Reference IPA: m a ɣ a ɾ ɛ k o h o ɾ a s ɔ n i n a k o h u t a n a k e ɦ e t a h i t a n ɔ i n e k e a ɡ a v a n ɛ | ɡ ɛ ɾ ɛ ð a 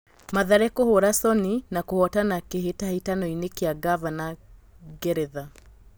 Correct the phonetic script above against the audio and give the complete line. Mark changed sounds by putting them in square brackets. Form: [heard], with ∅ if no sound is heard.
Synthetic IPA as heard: m a [ð] a ɾ ɛ k o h o ɾ a s ɔ n i n a k o h [ɔ] t a n a k e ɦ e t a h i t a n ɔ i n e k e a ɡ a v a n [a] | ɡ ɛ ɾ ɛ ð a